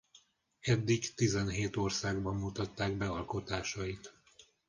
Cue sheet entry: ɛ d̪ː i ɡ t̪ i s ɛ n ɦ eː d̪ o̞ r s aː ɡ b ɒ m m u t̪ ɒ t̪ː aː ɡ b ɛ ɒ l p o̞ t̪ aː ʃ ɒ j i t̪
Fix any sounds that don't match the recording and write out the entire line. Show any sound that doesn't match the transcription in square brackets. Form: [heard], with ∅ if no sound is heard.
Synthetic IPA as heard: ɛ d̪ː i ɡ t̪ i [z] ɛ n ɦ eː [t̪] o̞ r s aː ɡ b ɒ m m u t̪ ɒ t̪ː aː ɡ b ɛ ɒ l [k] o̞ t̪ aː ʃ ɒ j i t̪

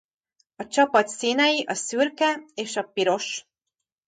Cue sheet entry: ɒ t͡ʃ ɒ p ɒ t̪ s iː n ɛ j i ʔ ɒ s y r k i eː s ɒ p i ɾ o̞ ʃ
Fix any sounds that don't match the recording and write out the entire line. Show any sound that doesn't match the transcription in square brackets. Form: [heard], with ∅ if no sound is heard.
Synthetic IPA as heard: ɒ t͡ʃ ɒ p ɒ t̪ s iː n ɛ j i ʔ ɒ s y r k [ɛ] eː [ʃ] ɒ p i ɾ o̞ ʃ

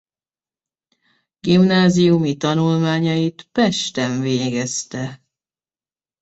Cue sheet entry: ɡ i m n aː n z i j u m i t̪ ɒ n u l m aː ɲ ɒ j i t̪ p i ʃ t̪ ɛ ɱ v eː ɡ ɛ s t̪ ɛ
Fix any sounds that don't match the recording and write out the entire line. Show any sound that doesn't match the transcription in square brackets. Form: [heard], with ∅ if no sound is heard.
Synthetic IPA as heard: ɡ i m n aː [∅] z i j u m i t̪ ɒ n u l m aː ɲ ɒ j i t̪ p [ɛ] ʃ t̪ ɛ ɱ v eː ɡ ɛ s t̪ ɛ

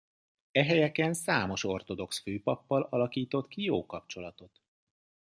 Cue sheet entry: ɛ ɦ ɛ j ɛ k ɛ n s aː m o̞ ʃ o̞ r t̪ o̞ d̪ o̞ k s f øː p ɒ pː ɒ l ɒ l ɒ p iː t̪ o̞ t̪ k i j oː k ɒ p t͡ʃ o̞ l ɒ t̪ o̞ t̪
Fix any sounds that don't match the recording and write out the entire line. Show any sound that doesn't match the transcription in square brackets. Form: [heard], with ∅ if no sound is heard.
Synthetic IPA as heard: ɛ ɦ ɛ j ɛ k ɛ n s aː m o̞ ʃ o̞ r t̪ o̞ d̪ o̞ k s f øː p ɒ pː ɒ l ɒ l ɒ [k] iː t̪ o̞ t̪ k i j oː k ɒ p t͡ʃ o̞ l ɒ t̪ o̞ t̪

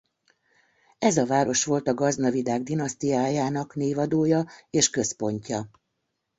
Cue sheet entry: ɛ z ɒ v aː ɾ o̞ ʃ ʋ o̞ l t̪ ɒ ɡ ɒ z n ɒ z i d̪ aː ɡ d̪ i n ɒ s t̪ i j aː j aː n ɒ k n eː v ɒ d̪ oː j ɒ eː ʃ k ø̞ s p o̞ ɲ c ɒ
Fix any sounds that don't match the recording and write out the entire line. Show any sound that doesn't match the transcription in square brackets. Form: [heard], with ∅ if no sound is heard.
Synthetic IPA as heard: ɛ z ɒ v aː ɾ o̞ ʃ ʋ o̞ l t̪ ɒ ɡ ɒ z n ɒ [v] i d̪ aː ɡ d̪ i n ɒ s t̪ i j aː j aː n ɒ k n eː v ɒ d̪ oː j ɒ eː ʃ k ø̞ s p o̞ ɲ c ɒ

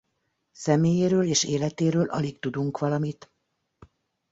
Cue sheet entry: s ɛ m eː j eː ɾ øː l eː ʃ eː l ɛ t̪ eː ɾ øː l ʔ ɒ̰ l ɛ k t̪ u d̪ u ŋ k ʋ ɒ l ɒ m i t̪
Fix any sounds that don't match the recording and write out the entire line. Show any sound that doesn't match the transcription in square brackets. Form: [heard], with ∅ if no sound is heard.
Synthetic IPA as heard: s ɛ m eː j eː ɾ øː l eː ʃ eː l ɛ t̪ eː ɾ øː l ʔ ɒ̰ l [i] k t̪ u d̪ u ŋ k ʋ ɒ l ɒ m i t̪

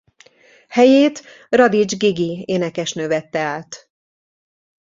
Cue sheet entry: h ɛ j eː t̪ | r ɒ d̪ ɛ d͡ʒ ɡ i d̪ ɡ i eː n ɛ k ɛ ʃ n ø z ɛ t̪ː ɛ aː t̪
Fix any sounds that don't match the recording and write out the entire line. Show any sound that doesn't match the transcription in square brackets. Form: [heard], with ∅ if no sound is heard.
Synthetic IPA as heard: h ɛ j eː t̪ | r ɒ d̪ [i] d͡ʒ ɡ i [∅] ɡ i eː n ɛ k ɛ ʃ n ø [v] ɛ t̪ː ɛ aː t̪

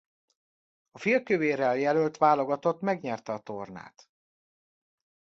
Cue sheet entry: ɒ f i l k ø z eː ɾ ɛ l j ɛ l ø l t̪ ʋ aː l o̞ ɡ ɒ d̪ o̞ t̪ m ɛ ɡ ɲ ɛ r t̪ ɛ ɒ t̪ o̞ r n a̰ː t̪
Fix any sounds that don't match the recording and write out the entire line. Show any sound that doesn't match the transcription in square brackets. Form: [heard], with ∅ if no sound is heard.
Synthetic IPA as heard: ɒ f i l k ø [v] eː ɾ ɛ l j ɛ l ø l t̪ ʋ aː l o̞ ɡ ɒ [t̪] o̞ t̪ m ɛ ɡ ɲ ɛ r t̪ ɛ ɒ t̪ o̞ r n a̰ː t̪

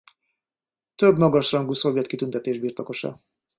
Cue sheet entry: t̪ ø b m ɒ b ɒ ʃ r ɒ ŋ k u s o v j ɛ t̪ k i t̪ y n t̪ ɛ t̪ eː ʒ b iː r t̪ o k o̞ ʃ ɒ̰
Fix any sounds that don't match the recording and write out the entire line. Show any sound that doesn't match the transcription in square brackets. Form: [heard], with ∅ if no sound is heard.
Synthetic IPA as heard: t̪ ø b m ɒ [ɡ] ɒ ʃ r ɒ ŋ [ɡ] u s o v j ɛ t̪ k i t̪ y n t̪ ɛ t̪ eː ʒ b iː r t̪ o k o̞ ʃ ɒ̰

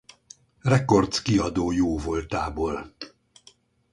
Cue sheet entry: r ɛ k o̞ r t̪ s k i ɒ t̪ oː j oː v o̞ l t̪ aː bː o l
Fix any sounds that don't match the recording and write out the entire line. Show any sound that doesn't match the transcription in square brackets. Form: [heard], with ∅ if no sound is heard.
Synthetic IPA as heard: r ɛ k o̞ r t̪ s k i ɒ [d̪] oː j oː v o̞ l t̪ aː [b] o l

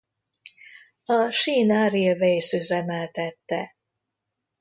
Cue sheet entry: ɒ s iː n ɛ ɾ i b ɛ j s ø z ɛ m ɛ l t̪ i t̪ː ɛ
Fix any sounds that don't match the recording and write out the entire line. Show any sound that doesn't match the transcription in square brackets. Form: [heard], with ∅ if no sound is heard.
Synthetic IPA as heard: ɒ [ʃ] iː n [a] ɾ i [v] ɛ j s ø z ɛ m ɛ l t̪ [ɛ] t̪ː ɛ

